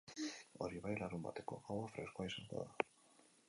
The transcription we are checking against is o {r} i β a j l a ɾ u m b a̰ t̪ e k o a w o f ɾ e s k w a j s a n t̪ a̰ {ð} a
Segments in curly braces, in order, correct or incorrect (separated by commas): incorrect, correct